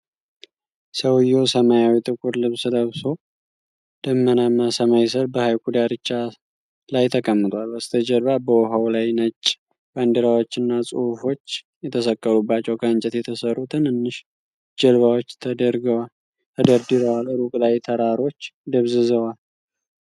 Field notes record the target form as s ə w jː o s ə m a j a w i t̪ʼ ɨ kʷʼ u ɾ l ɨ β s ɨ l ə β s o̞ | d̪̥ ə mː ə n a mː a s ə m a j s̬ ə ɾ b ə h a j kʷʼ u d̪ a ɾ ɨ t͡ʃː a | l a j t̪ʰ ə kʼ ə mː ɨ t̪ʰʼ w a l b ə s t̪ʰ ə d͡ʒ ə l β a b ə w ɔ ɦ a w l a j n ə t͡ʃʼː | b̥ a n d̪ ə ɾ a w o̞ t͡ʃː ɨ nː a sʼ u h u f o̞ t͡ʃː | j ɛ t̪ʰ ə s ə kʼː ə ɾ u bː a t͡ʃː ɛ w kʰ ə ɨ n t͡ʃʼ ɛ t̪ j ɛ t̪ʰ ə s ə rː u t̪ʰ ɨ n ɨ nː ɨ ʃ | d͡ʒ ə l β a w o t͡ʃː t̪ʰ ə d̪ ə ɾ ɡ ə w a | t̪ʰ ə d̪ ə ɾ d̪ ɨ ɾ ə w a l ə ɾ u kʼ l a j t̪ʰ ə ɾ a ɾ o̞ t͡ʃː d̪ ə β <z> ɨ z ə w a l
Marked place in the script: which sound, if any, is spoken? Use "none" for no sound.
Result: z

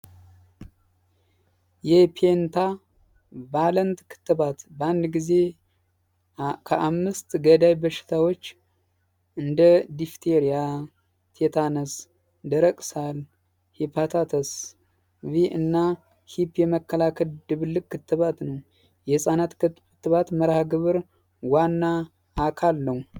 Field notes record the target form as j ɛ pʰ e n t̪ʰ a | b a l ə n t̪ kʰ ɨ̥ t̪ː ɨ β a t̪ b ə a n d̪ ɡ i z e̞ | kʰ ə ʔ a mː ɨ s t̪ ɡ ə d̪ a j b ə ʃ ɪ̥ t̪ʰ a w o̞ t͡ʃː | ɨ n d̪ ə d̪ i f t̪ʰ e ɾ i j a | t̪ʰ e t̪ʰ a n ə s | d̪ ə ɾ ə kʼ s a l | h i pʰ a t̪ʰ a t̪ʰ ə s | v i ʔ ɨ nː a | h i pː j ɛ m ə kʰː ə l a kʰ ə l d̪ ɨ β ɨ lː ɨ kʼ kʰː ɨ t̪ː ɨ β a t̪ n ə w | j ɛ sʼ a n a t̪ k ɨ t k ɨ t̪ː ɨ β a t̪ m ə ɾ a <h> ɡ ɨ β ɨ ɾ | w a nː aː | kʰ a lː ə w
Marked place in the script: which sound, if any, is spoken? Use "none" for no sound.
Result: h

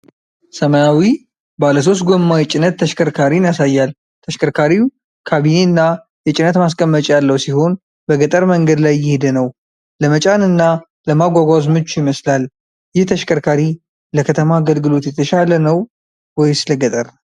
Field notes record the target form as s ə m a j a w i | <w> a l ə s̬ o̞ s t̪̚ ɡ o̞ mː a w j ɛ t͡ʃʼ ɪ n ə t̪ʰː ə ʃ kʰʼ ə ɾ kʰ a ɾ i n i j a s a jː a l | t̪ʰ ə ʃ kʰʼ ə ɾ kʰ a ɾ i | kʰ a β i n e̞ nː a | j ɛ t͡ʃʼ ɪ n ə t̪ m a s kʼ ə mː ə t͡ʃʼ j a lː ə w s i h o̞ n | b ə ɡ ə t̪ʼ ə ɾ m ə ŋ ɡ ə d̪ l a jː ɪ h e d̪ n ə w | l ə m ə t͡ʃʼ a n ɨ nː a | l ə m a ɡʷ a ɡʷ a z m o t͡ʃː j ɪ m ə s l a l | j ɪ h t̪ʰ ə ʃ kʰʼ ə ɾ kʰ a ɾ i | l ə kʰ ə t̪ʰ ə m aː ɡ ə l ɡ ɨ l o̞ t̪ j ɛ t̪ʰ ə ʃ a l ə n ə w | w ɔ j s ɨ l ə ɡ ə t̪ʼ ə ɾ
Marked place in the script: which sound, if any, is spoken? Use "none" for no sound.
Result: b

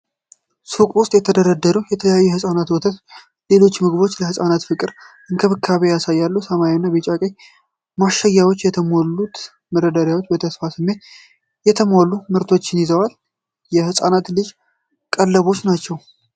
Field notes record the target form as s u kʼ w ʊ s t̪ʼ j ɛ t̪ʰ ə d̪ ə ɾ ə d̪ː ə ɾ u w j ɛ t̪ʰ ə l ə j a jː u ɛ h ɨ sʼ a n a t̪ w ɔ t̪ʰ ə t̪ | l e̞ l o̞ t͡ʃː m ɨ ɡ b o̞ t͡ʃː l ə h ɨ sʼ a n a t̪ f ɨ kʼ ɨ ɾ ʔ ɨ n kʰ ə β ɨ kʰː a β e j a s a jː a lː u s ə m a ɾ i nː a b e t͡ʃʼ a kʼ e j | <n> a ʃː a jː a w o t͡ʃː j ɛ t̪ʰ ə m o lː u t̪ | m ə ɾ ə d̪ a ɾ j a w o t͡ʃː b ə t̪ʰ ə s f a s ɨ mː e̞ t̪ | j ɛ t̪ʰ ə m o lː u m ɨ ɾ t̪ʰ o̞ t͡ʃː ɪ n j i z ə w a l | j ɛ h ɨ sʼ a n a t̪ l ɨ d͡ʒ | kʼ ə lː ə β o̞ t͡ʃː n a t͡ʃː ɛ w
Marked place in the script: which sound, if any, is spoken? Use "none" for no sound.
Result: m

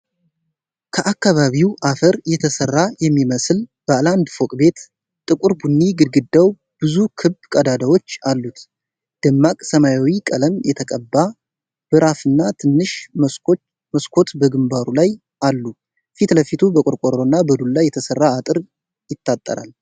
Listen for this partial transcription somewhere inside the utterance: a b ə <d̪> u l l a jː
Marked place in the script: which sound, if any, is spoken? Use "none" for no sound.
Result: d̪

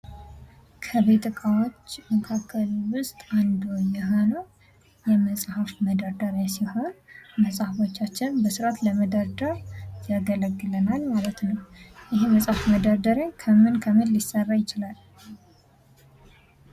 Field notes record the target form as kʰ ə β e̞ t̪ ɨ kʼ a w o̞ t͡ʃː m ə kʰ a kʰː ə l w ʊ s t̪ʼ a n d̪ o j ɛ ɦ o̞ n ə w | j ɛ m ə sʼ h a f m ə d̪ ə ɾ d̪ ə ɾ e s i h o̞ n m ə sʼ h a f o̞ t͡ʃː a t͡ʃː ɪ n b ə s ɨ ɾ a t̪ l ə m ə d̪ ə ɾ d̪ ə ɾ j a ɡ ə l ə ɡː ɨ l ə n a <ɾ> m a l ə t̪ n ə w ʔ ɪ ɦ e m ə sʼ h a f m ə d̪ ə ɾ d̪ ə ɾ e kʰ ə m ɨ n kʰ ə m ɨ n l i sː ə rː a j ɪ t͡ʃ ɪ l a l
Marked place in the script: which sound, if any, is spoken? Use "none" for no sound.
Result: l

